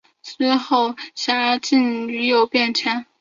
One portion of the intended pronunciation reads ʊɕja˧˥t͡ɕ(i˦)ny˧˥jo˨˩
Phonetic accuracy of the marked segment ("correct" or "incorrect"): incorrect